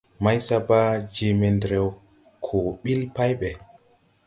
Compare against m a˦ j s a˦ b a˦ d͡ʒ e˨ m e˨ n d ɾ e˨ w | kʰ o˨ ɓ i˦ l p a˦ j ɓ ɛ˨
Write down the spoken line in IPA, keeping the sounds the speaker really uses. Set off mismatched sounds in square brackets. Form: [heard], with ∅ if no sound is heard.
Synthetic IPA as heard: m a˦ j s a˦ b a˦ d͡ʒ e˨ m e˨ n d ɾ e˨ w | kʰ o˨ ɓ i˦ l p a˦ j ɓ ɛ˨